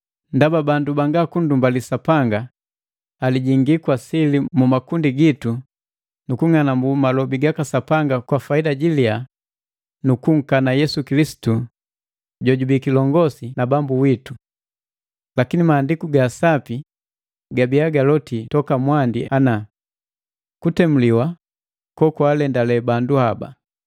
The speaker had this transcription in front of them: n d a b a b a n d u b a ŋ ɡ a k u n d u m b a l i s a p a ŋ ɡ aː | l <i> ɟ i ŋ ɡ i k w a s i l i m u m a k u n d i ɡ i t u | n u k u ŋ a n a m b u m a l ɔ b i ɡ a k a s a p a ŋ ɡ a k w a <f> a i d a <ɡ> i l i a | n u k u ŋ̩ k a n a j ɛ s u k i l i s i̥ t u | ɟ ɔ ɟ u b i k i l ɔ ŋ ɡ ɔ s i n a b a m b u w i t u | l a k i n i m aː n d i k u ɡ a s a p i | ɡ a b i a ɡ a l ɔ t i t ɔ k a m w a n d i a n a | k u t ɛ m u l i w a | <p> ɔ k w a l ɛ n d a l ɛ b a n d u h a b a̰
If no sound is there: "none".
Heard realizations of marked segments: i, f, ɟ, k

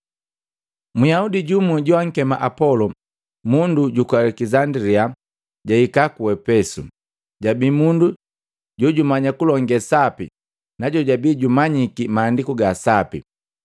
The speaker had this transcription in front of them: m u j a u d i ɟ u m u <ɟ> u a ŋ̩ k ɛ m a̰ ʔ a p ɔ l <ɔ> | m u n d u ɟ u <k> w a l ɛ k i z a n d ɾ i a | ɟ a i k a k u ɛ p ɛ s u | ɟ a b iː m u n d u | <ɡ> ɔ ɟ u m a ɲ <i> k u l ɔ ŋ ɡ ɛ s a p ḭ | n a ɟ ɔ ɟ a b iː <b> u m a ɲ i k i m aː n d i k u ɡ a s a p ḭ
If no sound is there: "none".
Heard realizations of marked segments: ɟ, ɔ, k, ɟ, a, ɟ

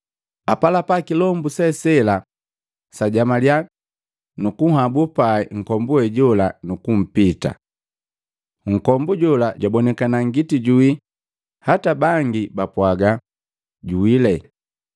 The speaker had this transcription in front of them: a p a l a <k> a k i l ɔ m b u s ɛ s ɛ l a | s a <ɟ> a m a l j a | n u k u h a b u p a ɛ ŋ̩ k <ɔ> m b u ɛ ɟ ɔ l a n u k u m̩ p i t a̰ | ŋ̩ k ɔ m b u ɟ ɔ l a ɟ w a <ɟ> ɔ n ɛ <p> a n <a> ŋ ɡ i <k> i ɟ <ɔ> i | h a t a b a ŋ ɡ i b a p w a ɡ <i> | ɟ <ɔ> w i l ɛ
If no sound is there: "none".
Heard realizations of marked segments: p, ɟ, ɔ, b, k, a, t, u, a, u

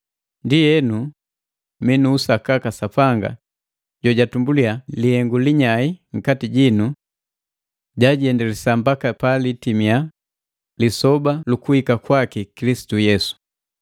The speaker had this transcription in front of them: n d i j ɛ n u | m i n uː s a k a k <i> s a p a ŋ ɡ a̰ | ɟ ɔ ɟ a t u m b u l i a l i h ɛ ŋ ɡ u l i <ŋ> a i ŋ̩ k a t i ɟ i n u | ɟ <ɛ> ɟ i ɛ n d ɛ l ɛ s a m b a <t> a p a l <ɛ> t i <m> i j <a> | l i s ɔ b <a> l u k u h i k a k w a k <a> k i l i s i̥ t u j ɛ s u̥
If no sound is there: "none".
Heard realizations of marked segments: a, ɲ, a, k, i, m, a, a, i

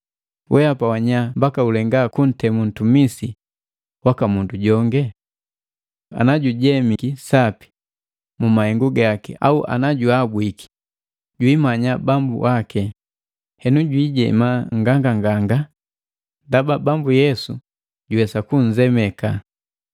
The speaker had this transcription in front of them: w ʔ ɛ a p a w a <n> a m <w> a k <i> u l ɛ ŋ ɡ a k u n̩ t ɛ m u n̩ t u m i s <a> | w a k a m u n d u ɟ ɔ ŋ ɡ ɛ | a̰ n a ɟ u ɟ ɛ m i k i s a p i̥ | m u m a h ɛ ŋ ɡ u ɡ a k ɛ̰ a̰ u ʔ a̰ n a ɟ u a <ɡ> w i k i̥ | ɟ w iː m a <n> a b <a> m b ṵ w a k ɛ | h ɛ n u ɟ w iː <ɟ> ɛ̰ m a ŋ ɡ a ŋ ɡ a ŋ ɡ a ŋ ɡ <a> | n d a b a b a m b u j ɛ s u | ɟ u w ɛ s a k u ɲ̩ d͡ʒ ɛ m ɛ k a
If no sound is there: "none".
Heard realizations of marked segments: ɲ, b, a, i, b, ɲ, a, ɟ, a

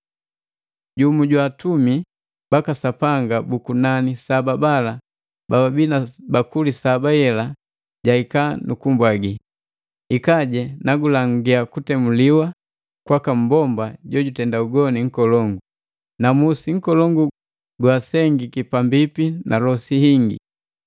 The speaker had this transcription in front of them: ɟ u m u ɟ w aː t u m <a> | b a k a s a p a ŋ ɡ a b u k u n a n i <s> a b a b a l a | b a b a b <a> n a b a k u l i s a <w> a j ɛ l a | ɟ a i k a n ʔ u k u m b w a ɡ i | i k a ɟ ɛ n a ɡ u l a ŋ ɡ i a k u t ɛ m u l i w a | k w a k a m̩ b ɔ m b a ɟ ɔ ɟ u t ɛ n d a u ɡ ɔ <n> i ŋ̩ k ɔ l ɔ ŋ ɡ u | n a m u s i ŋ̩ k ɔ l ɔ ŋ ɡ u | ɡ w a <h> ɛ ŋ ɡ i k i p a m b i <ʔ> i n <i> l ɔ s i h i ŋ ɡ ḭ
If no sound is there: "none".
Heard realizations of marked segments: i, s, i, b, n, s, p, a

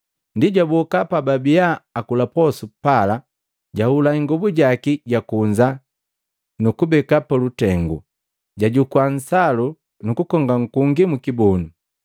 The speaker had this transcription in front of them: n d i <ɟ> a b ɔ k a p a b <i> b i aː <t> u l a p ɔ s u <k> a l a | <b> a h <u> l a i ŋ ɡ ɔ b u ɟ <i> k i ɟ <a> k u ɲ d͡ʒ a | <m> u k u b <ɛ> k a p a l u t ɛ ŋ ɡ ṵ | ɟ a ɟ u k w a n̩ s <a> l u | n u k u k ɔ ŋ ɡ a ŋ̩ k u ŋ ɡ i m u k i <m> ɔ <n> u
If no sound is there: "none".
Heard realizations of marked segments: ɟ, a, k, p, ɟ, u, a, a, n, ɛ, a, b, n

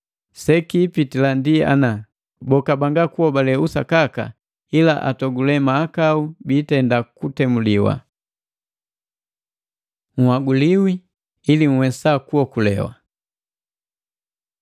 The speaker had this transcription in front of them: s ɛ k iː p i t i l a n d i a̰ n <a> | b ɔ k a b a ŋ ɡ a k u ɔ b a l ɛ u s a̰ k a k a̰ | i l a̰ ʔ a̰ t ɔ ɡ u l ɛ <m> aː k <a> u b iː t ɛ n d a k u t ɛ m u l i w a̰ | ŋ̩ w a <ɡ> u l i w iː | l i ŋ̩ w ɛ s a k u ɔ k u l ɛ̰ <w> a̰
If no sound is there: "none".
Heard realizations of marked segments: a, m, a, ɡ, w

